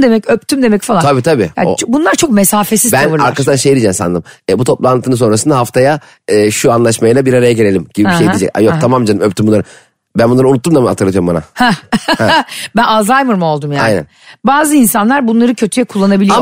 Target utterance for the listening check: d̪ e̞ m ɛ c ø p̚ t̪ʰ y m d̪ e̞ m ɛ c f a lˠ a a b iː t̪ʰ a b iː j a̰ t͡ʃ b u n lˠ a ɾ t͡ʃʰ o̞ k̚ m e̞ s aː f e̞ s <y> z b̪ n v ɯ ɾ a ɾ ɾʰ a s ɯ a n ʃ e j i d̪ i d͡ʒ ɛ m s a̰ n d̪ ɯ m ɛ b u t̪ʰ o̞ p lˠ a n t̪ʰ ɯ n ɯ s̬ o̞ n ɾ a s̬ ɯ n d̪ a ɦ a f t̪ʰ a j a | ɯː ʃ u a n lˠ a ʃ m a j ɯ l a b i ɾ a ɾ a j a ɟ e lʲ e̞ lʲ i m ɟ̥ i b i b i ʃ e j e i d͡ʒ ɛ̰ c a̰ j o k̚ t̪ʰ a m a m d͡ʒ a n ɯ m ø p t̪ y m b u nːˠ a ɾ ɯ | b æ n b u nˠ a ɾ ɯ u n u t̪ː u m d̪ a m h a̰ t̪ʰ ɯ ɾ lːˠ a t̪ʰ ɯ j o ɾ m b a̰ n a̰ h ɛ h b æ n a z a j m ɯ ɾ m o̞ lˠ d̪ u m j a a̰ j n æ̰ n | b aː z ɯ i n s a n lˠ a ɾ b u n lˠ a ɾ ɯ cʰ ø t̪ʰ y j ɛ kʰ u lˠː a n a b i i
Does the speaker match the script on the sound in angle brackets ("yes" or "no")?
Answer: no